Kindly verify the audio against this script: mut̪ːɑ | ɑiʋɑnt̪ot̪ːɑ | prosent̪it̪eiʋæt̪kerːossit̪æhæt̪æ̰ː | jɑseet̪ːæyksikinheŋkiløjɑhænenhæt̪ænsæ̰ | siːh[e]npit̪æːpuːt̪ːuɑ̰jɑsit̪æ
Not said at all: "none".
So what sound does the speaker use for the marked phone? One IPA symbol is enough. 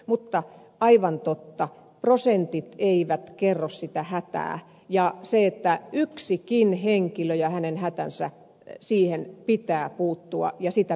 e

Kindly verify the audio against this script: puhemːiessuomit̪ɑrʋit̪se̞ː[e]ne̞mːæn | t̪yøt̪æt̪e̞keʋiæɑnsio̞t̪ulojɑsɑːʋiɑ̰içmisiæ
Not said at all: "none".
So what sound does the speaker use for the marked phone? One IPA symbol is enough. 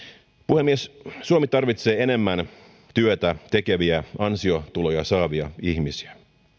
e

